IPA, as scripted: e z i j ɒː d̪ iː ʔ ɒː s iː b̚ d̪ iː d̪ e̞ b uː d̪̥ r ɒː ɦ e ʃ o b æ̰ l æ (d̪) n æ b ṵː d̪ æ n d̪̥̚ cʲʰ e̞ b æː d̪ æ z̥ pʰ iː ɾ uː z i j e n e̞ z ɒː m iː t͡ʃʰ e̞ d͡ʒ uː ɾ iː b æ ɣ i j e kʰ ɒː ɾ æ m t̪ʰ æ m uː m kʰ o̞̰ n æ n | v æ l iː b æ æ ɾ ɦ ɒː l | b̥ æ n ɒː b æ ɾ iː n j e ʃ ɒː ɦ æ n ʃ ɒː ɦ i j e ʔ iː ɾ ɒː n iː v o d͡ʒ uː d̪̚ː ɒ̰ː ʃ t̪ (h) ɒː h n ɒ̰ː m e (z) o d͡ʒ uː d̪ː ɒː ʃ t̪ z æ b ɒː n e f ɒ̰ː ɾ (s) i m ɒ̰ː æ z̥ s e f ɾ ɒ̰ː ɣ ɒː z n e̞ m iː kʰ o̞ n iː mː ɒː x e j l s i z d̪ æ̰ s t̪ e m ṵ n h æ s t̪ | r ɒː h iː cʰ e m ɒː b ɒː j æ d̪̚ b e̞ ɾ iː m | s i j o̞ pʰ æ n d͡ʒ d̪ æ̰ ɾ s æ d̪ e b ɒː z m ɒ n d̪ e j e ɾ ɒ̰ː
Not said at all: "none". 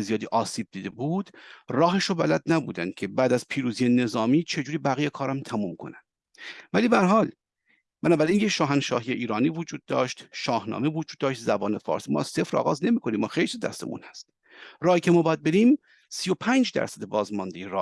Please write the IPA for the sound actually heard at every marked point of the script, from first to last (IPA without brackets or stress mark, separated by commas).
d̪, ʃ, v, s